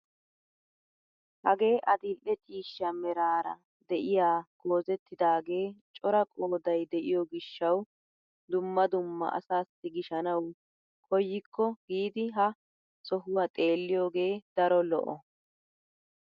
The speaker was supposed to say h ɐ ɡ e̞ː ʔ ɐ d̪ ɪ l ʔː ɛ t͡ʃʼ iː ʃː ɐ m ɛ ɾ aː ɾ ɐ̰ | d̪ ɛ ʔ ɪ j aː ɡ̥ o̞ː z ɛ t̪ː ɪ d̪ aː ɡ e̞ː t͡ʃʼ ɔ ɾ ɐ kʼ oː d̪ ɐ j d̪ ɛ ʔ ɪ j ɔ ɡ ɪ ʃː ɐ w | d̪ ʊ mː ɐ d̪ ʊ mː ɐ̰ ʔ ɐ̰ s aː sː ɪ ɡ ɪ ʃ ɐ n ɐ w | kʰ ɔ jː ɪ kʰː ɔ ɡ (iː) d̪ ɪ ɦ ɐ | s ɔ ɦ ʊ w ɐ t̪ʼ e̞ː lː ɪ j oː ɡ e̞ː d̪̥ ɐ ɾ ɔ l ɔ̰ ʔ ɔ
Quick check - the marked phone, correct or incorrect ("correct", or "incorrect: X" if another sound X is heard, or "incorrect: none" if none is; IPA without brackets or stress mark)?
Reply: correct